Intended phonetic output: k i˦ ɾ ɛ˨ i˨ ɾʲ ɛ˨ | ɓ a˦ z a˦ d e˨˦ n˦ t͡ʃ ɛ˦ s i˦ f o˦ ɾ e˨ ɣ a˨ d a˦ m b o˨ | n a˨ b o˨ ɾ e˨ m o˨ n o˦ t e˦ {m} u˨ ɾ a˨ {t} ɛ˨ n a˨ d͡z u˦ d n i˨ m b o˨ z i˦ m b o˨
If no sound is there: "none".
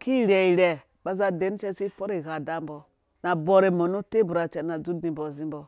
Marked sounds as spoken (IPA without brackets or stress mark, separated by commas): b, t͡ʃ